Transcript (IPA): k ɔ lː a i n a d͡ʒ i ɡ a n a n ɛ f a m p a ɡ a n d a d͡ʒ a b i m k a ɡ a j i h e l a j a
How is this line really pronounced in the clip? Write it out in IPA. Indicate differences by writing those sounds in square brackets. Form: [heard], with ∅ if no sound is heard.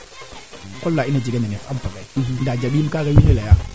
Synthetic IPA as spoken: k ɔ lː a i n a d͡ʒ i ɡ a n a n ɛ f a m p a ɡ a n d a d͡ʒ a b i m k a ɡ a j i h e l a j a